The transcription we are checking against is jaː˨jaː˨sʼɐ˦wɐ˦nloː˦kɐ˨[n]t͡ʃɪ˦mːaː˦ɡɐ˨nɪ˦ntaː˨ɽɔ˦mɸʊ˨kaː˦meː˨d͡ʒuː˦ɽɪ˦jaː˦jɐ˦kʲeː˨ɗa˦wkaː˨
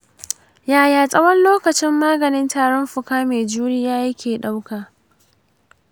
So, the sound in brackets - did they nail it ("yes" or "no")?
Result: no